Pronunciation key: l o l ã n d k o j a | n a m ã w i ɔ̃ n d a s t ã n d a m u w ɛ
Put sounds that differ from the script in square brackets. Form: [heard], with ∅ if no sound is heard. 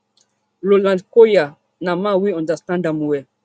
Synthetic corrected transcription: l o l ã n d k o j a | n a m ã w i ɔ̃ n d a s t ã n d a m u w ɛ